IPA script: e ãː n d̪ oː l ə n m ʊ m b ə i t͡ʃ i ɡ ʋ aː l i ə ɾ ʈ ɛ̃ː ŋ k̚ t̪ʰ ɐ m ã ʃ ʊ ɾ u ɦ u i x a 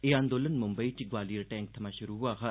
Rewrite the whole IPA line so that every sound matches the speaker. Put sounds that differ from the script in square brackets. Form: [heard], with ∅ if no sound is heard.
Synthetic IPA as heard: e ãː n d̪ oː l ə n m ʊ m b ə i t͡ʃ i ɡ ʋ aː l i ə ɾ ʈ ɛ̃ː ŋ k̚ t̪ʰ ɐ m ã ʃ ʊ ɾ u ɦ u [a] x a